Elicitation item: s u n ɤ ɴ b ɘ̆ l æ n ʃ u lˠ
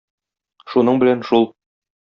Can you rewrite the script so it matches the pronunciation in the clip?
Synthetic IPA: ʃ u n ɤ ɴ b ɘ̆ l æ n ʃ u lˠ

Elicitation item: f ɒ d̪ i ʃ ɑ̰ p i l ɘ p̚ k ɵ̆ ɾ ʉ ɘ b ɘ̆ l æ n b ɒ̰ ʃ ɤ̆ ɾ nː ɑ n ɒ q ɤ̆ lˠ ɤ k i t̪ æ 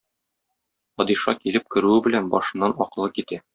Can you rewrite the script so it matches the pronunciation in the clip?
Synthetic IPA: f ɒ d̪ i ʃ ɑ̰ k i l ɘ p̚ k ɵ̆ ɾ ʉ ɘ b ɘ̆ l æ n b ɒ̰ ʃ ɤ̆ nː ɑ n ɒ q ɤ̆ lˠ ɤ k i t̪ æ

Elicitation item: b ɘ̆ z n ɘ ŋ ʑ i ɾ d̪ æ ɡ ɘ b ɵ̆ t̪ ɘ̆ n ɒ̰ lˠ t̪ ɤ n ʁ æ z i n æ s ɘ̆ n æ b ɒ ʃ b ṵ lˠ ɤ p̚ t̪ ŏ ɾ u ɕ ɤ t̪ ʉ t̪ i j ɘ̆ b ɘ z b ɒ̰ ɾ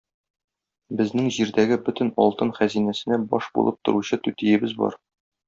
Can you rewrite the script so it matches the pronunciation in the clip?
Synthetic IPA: b ɘ̆ z n ɘ ŋ ʑ i ɾ d̪ æ ɡ ɘ b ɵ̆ t̪ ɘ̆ n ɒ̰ lˠ t̪ ɤ n χ æ z i n æ s ɘ̆ n æ b ɒ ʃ b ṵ lˠ ɤ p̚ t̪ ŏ ɾ u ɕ ɤ t̪ ʉ t̪ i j ɘ̆ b ɘ z b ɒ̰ ɾ

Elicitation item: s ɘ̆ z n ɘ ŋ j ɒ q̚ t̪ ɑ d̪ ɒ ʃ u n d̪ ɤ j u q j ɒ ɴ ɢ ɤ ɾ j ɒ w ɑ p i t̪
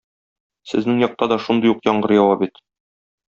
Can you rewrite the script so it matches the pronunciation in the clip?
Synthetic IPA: s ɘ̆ z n ɘ ŋ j ɒ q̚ t̪ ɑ d̪ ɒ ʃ u n d̪ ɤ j u q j ɒ ɴ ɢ ɤ ɾ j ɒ w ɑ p i t̪

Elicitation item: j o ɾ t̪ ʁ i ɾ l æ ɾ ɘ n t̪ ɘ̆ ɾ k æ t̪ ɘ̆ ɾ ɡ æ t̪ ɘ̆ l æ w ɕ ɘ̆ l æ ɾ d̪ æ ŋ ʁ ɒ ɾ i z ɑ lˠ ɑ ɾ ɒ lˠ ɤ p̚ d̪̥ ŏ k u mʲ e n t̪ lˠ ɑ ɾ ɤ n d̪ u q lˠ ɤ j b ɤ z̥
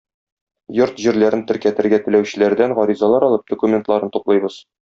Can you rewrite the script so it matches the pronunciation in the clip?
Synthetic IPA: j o ɾ t̪ ʑ i ɾ l æ ɾ ɘ n t̪ ɘ̆ ɾ k æ t̪ ɘ̆ ɾ ɡ æ t̪ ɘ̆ l æ w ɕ ɘ̆ l æ ɾ d̪ æ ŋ ʁ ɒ ɾ i z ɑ lˠ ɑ ɾ ɒ lˠ ɤ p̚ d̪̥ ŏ k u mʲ e n t̪ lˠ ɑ ɾ ɤ n t̪ u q lˠ ɤ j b ɤ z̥

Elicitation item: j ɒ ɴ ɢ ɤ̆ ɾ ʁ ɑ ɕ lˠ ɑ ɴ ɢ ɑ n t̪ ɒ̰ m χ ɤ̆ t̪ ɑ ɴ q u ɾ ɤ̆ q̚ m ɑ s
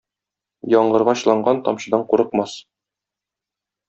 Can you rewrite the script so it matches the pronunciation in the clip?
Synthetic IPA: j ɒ ɴ ɢ ɤ̆ ɾ ʁ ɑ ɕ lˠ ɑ ɴ ɢ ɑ n t̪ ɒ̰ m ɕ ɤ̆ d̪ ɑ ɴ q u ɾ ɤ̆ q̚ m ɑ s

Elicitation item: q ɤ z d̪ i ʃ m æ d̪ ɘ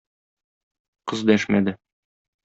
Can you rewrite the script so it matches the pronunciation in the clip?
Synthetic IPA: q ɤ z d̪ æ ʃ m æ d̪ ɘ

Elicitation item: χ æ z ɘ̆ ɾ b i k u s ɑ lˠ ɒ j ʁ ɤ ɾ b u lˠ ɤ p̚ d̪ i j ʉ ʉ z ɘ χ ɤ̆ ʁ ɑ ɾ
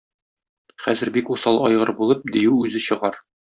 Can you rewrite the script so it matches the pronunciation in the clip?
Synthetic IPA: χ æ z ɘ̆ ɾ b i k u s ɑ lˠ ɒ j ʁ ɤ ɾ b u lˠ ɤ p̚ d̪ i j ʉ ʉ z ɘ ɕ ɤ̆ ʁ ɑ ɾ

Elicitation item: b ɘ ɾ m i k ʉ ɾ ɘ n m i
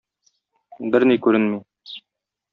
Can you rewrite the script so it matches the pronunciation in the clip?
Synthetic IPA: b ɘ ɾ n i k ʉ ɾ ɘ n m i

